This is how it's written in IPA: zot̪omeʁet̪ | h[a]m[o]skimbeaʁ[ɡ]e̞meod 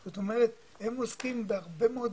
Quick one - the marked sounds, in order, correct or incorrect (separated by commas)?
incorrect, correct, incorrect